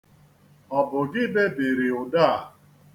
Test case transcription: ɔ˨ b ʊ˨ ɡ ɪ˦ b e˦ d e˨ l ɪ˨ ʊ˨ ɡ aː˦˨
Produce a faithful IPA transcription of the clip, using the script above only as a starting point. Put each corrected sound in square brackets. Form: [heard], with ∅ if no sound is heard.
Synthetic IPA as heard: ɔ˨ b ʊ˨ ɡ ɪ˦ b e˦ [b] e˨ [ɾ] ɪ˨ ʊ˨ [d] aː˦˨